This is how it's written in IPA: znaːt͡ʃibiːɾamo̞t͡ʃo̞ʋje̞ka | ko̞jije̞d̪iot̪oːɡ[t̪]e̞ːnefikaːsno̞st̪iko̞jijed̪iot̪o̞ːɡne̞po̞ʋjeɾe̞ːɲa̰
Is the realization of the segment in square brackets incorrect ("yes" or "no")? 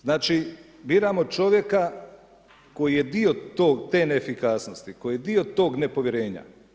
no